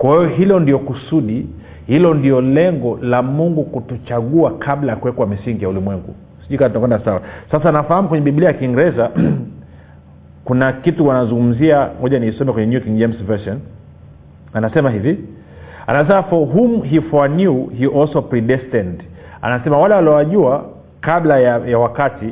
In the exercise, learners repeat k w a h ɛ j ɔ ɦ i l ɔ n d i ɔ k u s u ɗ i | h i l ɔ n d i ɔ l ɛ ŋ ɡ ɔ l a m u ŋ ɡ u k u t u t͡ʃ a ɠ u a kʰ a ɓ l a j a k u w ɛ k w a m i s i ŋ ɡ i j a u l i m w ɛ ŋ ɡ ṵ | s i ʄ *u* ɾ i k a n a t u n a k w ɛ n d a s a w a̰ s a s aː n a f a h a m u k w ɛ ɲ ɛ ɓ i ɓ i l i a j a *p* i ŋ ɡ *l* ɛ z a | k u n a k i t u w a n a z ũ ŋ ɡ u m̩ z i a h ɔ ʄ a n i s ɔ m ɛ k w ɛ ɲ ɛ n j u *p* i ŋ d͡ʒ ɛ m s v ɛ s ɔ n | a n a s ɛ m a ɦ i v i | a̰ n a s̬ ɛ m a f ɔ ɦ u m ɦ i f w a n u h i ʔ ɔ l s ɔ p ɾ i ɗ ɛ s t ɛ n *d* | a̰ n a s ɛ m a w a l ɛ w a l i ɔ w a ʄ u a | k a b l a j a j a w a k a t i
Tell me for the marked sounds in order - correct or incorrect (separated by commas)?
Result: correct, incorrect, incorrect, incorrect, correct